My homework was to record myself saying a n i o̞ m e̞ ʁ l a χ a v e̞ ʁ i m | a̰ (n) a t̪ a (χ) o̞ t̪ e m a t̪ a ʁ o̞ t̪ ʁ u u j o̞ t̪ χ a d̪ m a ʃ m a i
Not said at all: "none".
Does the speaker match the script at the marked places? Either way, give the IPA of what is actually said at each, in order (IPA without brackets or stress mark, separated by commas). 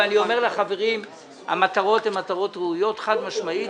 m, ʁ